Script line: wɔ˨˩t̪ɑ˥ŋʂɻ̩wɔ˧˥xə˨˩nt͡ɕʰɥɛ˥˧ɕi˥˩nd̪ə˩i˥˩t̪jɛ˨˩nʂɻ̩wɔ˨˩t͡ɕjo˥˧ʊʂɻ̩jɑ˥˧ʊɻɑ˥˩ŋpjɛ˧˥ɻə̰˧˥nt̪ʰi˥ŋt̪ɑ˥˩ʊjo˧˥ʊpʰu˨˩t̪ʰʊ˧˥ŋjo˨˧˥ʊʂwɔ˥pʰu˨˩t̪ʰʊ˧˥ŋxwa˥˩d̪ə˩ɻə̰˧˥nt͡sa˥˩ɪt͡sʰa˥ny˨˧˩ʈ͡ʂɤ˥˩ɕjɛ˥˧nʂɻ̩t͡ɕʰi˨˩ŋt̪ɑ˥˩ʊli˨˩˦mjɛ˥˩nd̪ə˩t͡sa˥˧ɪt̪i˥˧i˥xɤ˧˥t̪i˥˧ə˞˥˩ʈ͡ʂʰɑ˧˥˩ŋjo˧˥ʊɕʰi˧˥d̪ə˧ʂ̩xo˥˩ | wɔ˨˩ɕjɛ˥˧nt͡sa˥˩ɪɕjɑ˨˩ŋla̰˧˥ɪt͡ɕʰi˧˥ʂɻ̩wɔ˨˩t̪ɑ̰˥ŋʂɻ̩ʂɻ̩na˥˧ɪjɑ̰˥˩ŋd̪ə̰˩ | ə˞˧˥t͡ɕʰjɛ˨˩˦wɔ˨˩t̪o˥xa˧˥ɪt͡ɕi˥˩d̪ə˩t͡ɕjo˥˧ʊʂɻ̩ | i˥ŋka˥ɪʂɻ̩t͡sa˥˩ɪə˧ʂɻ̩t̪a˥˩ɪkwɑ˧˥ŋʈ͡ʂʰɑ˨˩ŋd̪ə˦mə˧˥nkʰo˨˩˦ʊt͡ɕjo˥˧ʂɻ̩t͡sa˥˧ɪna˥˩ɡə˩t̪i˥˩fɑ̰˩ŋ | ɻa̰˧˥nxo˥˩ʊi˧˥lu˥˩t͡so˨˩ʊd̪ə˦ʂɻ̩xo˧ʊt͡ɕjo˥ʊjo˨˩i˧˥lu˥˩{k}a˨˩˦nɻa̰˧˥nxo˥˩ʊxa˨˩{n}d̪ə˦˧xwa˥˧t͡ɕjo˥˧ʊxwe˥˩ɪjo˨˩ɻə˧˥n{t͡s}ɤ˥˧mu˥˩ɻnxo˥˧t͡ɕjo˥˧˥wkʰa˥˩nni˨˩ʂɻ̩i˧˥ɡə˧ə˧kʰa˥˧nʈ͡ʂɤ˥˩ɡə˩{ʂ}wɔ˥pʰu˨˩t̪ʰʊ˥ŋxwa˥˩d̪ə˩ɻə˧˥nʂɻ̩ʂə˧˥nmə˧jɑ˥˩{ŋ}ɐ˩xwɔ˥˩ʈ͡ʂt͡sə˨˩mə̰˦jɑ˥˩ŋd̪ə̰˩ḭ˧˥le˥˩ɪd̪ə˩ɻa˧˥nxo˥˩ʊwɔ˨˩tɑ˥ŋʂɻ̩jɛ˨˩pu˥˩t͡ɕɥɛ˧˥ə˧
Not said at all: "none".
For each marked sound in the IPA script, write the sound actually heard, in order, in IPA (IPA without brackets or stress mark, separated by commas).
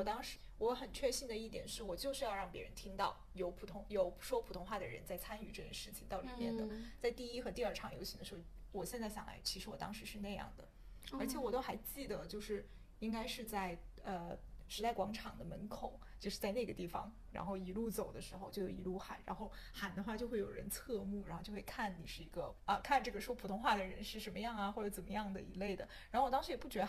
x, n, t͡sʰ, ʂ, ŋ